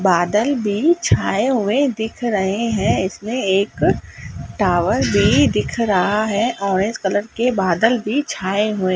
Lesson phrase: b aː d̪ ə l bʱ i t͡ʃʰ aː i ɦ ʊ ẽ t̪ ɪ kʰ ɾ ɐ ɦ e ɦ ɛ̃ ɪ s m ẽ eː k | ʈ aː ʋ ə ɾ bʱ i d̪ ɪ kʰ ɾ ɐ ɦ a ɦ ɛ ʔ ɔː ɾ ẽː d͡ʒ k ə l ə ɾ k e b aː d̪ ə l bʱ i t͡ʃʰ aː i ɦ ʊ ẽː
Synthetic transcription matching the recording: b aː d̪ ə l bʱ i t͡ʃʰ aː e ɦ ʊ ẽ d̪ ɪ kʰ ɾ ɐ ɦ e ɦ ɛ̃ ɪ s m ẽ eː k | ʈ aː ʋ ə ɾ bʱ i d̪ ɪ kʰ ɾ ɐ ɦ a ɦ ɛ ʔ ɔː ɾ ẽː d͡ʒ k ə l ə ɾ k e b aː d̪ ə l bʱ i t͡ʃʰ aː e ɦ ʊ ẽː